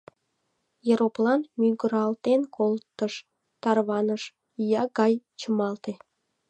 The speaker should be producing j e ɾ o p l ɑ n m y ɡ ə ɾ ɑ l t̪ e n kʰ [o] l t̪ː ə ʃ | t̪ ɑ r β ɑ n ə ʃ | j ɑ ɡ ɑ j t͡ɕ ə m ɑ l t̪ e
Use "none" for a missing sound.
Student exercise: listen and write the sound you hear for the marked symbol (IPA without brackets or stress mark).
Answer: o